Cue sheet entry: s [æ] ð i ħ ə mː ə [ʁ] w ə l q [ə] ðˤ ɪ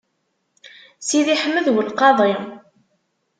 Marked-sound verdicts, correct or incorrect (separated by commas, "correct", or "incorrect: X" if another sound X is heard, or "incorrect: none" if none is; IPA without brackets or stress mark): incorrect: i, incorrect: ð, incorrect: ɑ